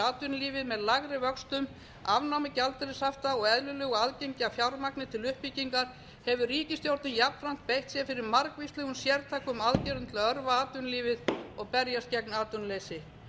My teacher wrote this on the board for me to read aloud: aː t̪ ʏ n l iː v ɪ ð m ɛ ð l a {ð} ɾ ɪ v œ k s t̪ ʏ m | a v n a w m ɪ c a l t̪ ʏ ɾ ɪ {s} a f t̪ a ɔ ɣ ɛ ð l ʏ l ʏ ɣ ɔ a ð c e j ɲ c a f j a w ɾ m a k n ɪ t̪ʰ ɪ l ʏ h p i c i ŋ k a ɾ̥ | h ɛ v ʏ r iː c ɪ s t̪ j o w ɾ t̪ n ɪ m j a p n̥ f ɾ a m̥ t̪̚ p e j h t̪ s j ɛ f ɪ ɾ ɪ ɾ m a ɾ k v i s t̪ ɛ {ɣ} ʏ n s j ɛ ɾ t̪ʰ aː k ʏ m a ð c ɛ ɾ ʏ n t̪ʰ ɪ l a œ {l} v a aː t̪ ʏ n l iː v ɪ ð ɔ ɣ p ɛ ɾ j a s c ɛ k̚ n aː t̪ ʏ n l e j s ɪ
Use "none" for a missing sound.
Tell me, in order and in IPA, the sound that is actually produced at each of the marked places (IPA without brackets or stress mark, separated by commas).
ɣ, s, ɣ, ɾ